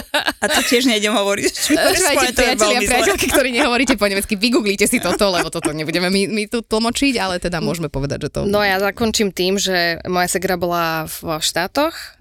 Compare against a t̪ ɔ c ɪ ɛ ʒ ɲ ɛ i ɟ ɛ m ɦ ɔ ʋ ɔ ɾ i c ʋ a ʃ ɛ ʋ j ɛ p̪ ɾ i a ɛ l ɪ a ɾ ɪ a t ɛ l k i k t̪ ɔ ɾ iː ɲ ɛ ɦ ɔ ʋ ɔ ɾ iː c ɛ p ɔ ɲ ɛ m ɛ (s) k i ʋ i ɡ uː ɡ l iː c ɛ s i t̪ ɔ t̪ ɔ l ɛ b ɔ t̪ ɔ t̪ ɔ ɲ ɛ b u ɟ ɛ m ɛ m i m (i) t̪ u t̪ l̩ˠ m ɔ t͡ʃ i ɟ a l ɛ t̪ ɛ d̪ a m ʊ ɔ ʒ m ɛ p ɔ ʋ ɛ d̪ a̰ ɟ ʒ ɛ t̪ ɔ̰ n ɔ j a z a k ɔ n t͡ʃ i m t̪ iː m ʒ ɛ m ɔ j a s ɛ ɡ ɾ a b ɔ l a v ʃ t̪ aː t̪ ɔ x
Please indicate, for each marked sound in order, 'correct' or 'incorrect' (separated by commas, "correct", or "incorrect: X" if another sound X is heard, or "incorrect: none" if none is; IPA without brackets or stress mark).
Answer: incorrect: t͡s, correct